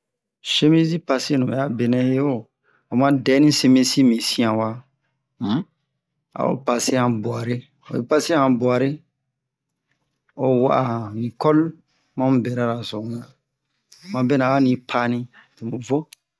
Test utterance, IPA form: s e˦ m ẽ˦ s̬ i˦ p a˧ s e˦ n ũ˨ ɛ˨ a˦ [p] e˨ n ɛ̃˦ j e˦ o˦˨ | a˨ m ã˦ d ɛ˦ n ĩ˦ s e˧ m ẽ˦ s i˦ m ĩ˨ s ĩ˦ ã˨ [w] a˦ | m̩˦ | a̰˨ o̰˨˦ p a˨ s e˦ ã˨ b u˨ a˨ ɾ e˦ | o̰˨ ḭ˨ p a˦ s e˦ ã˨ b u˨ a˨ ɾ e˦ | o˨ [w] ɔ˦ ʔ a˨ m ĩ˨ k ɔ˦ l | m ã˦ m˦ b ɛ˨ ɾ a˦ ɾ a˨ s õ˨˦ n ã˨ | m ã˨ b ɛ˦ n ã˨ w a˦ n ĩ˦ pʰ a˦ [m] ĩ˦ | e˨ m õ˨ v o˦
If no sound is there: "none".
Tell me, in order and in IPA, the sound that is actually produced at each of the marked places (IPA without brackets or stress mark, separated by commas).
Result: b, w, w, n